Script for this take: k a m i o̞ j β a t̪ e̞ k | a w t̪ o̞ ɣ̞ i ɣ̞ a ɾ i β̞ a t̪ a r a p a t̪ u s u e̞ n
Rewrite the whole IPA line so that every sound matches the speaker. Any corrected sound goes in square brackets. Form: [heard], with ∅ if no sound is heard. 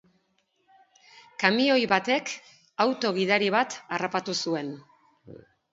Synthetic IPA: k a m i o̞ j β a t̪ e̞ k | a w t̪ o̞ ɣ̞ i [ð̞] a ɾ i β̞ a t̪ a r a p a t̪ u s u e̞ n

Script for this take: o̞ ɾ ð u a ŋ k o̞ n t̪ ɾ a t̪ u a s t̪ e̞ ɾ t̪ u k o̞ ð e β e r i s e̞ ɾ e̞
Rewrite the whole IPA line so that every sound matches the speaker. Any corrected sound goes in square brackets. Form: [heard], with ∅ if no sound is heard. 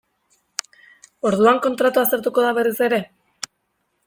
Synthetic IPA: o̞ ɾ ð u a ŋ k o̞ n t̪ ɾ a t̪ u a s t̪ e̞ ɾ t̪ u k o̞ ð [a] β e r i s e̞ ɾ e̞

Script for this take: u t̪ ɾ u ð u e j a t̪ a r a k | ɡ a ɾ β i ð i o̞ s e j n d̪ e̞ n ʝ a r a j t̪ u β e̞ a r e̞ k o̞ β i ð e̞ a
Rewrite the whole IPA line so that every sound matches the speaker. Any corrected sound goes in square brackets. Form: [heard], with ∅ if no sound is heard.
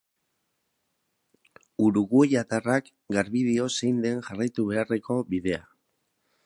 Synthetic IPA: u [∅] ɾ u [ɣ] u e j a t̪ a r a k | ɡ a ɾ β i ð i o̞ s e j n d̪ e̞ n ʝ a r a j t̪ u β e̞ a r e̞ k o̞ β i ð e̞ a

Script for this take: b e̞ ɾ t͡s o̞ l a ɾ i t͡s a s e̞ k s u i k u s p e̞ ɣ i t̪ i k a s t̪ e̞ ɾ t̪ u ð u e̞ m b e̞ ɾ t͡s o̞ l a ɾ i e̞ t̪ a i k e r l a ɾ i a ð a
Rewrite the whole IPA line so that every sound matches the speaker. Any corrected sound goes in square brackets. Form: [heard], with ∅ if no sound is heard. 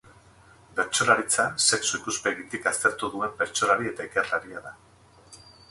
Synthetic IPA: b e̞ ɾ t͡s o̞ l a ɾ i t͡s a s e̞ k s u i k u s p e̞ ɣ i t̪ i k a s t̪ e̞ ɾ t̪ u ð u e̞ m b e̞ ɾ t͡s o̞ l a ɾ i e̞ t̪ a i k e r l a ɾ i a ð a

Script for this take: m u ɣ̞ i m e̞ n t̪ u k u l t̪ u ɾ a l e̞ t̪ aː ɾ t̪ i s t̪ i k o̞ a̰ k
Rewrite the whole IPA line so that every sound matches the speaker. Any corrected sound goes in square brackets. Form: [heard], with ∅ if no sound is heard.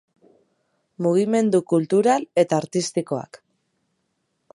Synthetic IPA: m u ɣ̞ i m e̞ n [d̪] u k u l t̪ u ɾ a l e̞ t̪ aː ɾ t̪ i s t̪ i k o̞ a̰ k

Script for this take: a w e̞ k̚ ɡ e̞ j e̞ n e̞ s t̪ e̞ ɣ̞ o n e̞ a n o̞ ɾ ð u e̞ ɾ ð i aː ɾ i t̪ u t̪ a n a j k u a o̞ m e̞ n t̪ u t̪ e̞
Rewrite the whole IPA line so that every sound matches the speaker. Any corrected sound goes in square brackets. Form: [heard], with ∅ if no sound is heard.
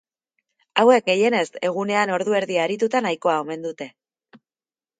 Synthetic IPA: a w e̞ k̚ ɡ e̞ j e̞ n e̞ s t̪ e̞ ɣ̞ [u] n e̞ a n o̞ ɾ ð u e̞ ɾ ð i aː ɾ i t̪ u t̪ a n a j k [o] a o̞ m e̞ n [d̪] u t̪ e̞

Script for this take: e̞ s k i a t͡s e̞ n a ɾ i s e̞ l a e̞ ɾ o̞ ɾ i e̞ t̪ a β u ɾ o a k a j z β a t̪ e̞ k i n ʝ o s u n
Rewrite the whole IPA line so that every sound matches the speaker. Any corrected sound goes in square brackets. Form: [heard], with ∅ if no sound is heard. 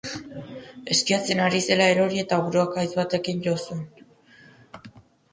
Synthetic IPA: e̞ s k i a t͡s e̞ n a ɾ i s e̞ l a e̞ ɾ o̞ ɾ i e̞ t̪ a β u ɾ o a k a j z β a t̪ e̞ k i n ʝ o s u n

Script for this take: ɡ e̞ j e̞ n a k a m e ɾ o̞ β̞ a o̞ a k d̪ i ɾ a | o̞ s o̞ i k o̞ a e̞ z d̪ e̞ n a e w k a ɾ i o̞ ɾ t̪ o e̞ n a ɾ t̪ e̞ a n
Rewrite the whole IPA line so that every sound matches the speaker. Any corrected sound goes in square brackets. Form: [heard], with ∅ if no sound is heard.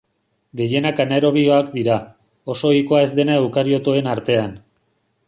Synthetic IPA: ɡ e̞ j e̞ n a k a [n] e ɾ o̞ β̞ [i] o̞ a k d̪ i ɾ a | o̞ s o̞ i k o̞ a e̞ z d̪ e̞ n a e w k a ɾ i o̞ [∅] t̪ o e̞ n a ɾ t̪ e̞ a n

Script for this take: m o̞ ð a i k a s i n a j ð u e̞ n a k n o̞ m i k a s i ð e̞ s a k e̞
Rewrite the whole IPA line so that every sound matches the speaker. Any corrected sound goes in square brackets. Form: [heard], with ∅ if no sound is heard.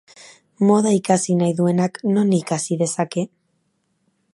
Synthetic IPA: m o̞ ð a i k a s i n a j ð u e̞ n a k n o̞ [n] i k a s i ð e̞ s a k e̞

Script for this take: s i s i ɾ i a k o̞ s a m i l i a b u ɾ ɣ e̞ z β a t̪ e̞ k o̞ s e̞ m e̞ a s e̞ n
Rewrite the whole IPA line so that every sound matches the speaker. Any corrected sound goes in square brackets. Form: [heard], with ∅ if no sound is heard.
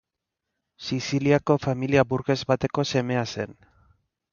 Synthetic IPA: s i s i [l] i a k o̞ [f] a m i l i a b u ɾ ɣ e̞ z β a t̪ e̞ k o̞ s e̞ m e̞ a s e̞ n

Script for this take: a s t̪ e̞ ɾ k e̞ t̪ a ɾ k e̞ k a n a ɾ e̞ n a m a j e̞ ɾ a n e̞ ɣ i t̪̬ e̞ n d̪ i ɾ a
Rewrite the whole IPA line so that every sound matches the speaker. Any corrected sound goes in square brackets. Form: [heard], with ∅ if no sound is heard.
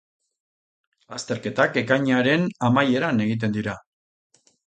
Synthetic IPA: a s t̪ e̞ ɾ k e̞ t̪ a [∅] k e̞ k a [ɲ] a ɾ e̞ n a m a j e̞ ɾ a n e̞ ɣ i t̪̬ e̞ n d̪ i ɾ a

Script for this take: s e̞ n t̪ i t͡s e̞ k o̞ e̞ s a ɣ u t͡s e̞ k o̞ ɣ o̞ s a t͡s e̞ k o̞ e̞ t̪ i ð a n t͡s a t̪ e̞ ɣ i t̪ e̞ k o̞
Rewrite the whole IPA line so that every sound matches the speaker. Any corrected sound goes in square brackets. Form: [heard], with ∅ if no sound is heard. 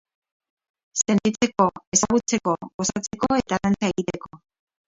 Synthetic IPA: s e̞ n t̪ i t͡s e̞ k o̞ e̞ s a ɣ u t͡s e̞ k o̞ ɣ o̞ s a t͡s e̞ k o̞ e̞ t̪ [a] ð a n t͡s a [∅] e̞ ɣ i t̪ e̞ k o̞

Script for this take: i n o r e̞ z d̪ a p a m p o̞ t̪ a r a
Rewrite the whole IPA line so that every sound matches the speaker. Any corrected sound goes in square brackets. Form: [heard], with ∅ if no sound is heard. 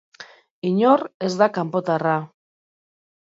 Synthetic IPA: i [ɲ] o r e̞ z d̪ a [k] a m p o̞ t̪ a r a

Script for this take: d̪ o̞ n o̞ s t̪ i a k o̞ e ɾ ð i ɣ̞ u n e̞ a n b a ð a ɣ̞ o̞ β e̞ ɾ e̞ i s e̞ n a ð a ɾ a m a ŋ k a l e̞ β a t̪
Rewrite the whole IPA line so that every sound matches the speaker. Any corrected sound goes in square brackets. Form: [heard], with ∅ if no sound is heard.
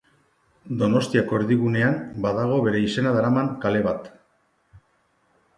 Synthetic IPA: d̪ o̞ n o̞ s t̪ i a k o̞ e ɾ ð i ɣ̞ u n e̞ a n b a ð a ɣ̞ o̞ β e̞ ɾ e̞ i s e̞ n a ð a ɾ a m a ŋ k a l e̞ β a t̪

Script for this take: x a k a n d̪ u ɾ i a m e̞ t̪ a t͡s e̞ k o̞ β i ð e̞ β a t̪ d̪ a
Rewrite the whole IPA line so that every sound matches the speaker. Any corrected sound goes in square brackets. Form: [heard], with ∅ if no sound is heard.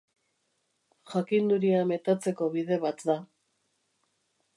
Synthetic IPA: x a k [i] n d̪ u ɾ i a m e̞ t̪ a t͡s e̞ k o̞ β i ð e̞ β a t̪ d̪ a

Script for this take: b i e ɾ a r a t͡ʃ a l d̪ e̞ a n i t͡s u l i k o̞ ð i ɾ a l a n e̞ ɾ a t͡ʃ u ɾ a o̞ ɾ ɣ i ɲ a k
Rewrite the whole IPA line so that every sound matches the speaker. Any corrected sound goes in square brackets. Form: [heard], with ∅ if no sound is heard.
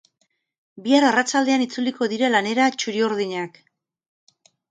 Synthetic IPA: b i [a] ɾ a r a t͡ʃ a l d̪ e̞ a n i t͡s u l i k o̞ ð i ɾ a l a n e̞ ɾ a t͡ʃ u ɾ [i] o̞ ɾ [ð] i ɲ a k

